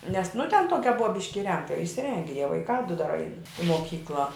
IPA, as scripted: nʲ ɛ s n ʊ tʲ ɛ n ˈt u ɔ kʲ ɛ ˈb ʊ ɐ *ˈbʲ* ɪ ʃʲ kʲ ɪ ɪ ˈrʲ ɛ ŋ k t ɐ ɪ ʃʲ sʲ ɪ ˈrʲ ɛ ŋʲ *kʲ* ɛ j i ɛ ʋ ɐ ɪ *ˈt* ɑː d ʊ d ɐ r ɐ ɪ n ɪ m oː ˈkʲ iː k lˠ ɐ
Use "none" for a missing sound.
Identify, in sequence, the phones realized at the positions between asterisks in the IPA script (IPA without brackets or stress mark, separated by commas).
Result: bʲ, ɡʲ, k